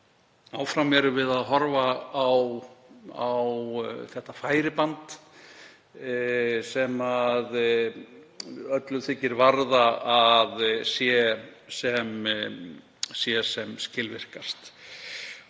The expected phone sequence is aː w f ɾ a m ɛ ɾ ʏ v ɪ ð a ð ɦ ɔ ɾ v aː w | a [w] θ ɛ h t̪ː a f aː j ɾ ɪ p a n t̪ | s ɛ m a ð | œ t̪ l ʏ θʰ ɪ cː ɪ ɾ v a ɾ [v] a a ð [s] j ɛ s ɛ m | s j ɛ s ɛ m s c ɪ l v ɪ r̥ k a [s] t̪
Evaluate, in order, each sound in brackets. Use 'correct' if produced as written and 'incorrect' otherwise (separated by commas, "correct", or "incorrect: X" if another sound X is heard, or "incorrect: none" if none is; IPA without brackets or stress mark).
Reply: correct, incorrect: ð, correct, correct